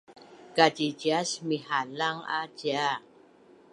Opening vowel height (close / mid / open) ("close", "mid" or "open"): open